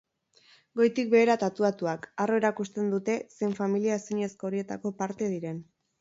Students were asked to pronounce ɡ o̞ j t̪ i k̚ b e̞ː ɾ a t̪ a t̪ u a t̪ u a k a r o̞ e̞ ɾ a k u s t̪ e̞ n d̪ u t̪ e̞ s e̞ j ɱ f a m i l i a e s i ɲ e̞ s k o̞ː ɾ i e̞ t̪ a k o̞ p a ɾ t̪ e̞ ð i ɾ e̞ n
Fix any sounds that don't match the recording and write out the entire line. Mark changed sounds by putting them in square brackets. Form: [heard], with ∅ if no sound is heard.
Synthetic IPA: ɡ o̞ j t̪ i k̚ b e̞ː ɾ a t̪ a t̪ u a t̪ u a k a r o̞ e̞ ɾ a k u s t̪ e̞ n d̪ u t̪ e̞ s e̞ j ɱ f a m i l i a e s i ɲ e̞ s k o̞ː ɾ i e̞ t̪ a k o̞ p a ɾ t̪ e̞ ð i ɾ e̞ n